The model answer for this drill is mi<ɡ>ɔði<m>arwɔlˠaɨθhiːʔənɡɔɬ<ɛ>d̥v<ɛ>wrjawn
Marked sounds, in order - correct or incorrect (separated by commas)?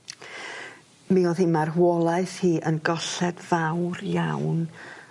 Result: incorrect, correct, correct, incorrect